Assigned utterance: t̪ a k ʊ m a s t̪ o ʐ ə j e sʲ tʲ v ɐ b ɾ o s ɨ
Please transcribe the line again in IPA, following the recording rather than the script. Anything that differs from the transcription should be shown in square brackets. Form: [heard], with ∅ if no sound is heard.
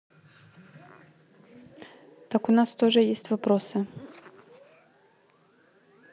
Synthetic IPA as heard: t̪ a k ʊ [n] a s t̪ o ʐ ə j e sʲ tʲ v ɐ [p] ɾ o s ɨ